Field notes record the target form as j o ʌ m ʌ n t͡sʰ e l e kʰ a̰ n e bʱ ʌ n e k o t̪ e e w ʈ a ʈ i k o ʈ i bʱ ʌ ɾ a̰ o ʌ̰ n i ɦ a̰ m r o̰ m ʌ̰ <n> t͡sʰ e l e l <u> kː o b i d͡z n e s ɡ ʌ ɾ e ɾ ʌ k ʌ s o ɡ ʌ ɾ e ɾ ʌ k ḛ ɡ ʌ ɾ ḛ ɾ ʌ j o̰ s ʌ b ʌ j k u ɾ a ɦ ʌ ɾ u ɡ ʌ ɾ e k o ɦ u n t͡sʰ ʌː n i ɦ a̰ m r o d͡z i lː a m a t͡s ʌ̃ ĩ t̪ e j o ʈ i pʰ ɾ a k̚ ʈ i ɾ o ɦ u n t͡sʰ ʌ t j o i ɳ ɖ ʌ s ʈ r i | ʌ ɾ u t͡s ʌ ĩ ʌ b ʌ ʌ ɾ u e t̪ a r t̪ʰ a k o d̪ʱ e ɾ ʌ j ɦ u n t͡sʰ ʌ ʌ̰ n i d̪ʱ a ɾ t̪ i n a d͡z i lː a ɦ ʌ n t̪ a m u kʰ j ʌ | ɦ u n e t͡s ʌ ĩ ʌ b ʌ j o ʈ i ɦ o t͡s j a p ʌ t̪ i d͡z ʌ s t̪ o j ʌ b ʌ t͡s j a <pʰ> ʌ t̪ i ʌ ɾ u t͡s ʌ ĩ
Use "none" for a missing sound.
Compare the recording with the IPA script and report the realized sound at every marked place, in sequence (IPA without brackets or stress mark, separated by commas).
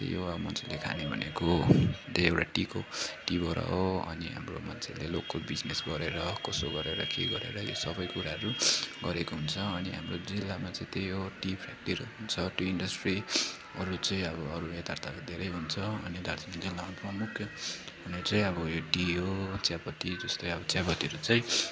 n, o, p